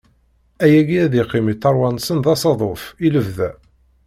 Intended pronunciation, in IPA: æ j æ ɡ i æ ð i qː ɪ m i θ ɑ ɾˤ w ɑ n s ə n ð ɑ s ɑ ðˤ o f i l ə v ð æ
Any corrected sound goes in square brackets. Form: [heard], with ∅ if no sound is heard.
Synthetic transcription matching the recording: æ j æ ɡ i æ ð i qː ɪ m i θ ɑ ɾˤ w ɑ n s ə n ð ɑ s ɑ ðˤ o f i l ə v ð æ